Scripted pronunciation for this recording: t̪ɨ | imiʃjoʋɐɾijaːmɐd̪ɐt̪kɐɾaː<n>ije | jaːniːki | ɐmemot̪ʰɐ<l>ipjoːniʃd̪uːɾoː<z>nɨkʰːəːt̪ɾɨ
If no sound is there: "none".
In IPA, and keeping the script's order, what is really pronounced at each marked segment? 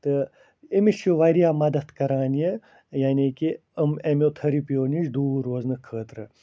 n, ɾ, z

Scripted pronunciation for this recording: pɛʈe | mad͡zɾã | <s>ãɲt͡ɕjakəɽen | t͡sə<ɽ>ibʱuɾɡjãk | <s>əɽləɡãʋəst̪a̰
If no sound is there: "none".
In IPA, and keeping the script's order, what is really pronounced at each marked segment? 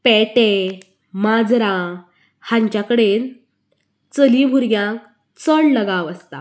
h, l, t͡s

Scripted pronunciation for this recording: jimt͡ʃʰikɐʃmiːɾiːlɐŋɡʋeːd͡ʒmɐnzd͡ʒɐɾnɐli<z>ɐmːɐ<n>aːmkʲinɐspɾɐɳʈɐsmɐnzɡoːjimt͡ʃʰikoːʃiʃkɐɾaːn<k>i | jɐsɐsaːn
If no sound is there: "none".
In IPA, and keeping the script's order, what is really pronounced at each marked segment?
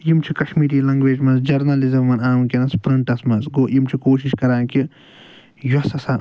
z, n, k

